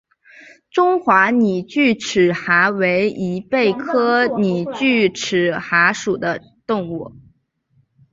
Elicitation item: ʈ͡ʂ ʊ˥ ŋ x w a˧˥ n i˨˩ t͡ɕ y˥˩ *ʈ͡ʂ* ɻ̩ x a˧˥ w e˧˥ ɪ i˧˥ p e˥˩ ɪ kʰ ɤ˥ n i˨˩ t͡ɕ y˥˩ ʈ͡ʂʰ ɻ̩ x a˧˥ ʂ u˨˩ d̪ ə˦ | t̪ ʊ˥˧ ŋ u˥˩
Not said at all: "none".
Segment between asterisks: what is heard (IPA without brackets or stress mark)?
ʈ͡ʂʰ